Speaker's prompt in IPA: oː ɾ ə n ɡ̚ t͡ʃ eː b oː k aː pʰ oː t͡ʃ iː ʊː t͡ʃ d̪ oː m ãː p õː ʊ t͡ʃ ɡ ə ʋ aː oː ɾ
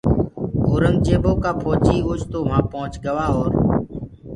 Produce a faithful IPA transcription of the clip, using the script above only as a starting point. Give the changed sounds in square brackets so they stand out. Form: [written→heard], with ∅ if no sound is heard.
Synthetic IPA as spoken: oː ɾ ə [n→ŋ] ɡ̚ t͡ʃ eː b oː k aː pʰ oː t͡ʃ iː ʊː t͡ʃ [d̪→t̪] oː m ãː p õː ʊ t͡ʃ ɡ ə ʋ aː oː ɾ